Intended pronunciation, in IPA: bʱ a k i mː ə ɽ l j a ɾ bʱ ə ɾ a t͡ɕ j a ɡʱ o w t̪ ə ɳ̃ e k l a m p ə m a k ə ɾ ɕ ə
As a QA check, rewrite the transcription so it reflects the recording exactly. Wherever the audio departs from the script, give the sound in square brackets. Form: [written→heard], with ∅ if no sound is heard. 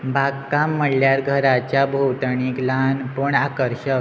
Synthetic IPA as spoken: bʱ a k [i→a] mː ə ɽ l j a ɾ [bʱ→ɡʱ] ə ɾ a t͡ɕ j a [ɡʱ→bʱ] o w t̪ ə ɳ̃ [e→i] k l a [m→n] p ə [m→ɳ] a k ə ɾ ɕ ə